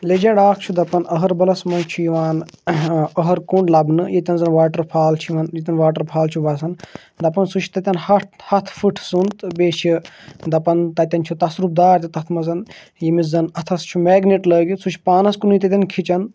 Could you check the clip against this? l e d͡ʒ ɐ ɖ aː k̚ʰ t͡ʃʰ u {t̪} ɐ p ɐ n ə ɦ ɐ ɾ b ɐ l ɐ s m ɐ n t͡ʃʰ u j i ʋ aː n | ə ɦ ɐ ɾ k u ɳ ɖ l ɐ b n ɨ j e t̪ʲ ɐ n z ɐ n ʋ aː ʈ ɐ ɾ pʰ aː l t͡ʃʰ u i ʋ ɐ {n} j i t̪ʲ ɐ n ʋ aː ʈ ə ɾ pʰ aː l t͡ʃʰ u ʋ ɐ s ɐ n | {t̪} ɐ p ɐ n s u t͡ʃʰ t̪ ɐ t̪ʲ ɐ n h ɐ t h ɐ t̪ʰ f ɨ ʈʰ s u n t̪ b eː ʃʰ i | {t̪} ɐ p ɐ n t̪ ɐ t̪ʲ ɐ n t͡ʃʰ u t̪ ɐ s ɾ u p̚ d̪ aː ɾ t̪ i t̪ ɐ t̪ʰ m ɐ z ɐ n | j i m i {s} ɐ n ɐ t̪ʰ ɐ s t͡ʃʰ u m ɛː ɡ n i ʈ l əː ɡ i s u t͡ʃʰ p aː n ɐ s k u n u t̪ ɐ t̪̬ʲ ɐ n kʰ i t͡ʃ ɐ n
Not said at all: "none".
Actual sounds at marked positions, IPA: d̪, n, d̪, d̪, z

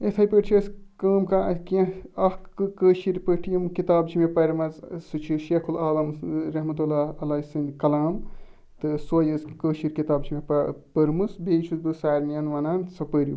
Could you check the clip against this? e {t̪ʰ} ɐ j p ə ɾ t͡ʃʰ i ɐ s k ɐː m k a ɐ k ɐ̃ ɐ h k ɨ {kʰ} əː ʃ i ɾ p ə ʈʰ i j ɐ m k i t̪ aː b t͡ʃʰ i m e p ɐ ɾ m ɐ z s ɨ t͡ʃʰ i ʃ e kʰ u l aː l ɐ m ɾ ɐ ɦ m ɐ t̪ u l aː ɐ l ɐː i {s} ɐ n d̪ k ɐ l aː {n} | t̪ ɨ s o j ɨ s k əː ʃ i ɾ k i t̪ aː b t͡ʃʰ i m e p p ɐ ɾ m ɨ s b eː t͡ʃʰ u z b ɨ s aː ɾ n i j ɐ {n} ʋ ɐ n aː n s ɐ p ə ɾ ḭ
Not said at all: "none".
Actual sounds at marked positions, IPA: t̪ʰ, k, s, m, n

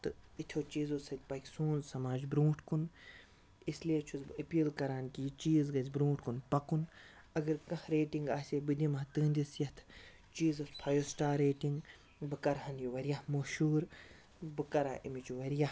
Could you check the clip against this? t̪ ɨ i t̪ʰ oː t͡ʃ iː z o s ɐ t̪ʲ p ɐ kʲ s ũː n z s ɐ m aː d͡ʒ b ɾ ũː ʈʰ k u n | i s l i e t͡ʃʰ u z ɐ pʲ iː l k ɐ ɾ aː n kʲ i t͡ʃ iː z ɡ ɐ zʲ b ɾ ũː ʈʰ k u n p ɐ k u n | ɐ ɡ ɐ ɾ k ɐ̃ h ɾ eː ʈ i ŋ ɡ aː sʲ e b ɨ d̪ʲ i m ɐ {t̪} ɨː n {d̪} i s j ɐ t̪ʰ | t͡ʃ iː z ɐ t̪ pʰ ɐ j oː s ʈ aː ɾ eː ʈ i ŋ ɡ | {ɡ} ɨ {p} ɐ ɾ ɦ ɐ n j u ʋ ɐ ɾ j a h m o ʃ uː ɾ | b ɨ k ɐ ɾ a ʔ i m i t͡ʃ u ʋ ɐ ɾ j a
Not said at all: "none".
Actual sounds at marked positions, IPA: t̪, d̪, b, k

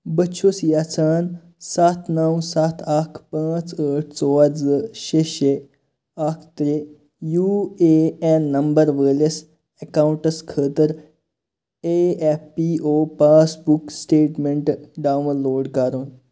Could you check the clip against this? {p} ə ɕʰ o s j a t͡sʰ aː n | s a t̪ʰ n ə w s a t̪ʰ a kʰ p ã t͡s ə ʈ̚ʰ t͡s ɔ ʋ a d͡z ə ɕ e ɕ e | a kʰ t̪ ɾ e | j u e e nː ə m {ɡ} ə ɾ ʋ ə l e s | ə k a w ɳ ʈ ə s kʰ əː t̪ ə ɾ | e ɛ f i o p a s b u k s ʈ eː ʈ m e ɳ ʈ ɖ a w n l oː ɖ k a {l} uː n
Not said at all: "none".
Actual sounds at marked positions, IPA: b, b, ɾ

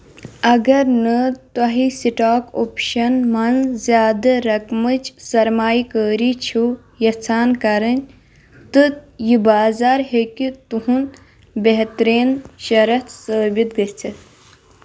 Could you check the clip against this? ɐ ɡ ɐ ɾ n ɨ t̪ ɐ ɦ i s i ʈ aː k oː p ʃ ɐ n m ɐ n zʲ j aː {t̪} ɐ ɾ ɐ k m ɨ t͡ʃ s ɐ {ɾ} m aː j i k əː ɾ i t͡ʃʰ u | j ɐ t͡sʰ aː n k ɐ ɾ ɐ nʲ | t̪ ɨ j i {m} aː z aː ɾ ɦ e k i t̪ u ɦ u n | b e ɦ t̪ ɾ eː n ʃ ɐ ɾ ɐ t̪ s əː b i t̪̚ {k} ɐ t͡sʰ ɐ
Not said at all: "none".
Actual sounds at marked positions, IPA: d̪, ɾ, b, ɡ

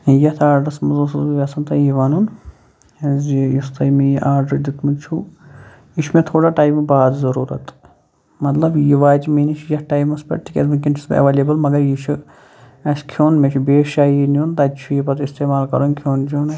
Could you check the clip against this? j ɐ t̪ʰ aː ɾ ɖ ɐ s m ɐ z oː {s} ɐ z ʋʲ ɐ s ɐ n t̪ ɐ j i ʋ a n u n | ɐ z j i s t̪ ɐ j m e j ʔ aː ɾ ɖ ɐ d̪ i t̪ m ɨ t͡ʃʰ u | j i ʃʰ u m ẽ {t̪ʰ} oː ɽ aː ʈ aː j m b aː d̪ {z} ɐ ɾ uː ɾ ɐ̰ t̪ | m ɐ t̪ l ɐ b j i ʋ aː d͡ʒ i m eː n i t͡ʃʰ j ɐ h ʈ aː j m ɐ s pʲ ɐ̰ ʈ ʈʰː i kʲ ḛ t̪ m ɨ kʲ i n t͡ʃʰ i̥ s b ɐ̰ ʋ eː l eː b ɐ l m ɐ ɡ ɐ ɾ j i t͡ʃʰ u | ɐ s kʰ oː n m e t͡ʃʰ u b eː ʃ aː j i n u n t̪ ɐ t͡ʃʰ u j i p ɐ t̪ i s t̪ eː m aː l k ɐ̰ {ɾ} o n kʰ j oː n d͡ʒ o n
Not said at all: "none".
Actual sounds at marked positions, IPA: s, t̪ʰ, z, ɾ

